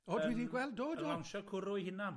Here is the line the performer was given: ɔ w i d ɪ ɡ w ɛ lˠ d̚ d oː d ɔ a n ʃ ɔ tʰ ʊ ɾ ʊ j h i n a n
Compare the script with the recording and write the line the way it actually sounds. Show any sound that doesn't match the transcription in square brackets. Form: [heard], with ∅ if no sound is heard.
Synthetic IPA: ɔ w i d [i] ɡ w ɛ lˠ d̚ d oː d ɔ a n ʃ ɔ [kʰ] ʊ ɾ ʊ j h [ɪ] n a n